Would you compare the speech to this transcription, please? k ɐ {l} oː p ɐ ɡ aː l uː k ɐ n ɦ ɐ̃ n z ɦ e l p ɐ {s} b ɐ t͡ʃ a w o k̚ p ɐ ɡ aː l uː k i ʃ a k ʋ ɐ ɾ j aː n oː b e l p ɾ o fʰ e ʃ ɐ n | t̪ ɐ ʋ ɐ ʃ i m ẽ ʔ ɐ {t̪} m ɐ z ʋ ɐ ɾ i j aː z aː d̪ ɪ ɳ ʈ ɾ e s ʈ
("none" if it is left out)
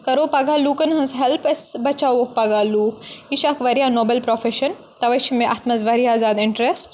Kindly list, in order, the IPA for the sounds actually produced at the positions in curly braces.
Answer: ɾ, s, t̪

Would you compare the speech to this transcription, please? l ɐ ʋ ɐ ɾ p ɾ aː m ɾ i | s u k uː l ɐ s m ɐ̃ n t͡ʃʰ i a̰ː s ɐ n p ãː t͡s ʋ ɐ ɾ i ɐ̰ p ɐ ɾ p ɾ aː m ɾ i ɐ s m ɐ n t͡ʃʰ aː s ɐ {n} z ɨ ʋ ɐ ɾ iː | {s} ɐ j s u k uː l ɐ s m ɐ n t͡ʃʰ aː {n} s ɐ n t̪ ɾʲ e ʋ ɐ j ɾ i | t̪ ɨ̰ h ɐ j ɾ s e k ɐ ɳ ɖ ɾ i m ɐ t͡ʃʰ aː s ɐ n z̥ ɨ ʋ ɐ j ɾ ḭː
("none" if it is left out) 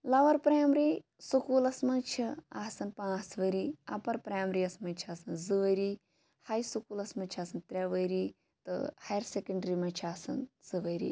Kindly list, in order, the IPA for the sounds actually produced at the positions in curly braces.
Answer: n, h, none

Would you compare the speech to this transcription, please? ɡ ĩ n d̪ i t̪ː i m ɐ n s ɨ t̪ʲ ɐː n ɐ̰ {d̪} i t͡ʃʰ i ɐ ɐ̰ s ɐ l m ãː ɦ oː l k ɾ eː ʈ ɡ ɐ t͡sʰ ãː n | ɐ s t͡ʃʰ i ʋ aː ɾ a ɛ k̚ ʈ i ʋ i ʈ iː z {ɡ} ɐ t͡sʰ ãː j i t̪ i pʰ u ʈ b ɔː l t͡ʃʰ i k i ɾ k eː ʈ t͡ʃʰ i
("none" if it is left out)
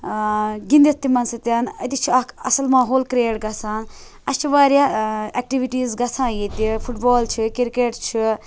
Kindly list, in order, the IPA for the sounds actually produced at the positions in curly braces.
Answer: t̪, ɡ

